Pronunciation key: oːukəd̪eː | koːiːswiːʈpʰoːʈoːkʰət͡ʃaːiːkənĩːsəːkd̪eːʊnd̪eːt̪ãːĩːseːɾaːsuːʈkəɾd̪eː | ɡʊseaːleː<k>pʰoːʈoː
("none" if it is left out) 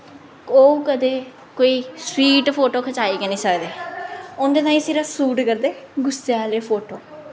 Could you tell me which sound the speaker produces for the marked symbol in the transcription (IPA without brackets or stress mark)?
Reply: none